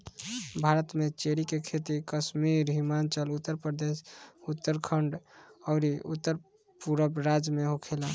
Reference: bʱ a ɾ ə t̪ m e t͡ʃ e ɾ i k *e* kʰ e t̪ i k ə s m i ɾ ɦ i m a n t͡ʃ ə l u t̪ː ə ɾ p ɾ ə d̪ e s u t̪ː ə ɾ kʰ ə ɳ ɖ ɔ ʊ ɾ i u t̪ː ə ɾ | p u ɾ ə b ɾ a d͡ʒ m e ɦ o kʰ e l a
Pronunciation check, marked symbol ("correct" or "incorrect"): correct